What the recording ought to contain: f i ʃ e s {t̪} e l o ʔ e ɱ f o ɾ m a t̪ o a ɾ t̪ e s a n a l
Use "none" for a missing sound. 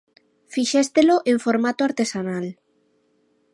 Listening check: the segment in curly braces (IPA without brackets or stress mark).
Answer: t̪